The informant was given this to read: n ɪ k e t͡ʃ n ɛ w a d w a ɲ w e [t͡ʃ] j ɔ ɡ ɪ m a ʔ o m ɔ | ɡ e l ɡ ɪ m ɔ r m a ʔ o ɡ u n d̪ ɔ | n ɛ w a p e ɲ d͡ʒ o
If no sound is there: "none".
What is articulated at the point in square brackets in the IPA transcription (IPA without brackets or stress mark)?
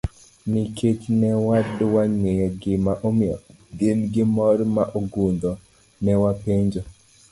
none